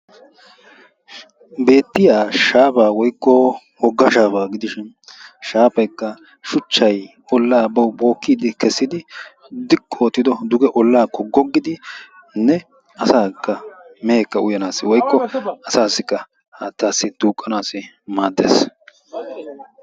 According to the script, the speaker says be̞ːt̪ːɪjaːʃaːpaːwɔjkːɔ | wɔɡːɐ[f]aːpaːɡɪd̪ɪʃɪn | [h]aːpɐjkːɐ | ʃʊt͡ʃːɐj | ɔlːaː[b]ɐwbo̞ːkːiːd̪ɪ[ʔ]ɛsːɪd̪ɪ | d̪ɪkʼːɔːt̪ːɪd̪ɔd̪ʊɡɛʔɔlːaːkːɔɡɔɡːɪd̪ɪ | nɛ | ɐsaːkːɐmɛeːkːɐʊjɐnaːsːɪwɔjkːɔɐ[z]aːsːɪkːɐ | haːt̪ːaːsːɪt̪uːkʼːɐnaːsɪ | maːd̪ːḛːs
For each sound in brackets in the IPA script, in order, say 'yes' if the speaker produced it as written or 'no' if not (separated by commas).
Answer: no, no, yes, no, no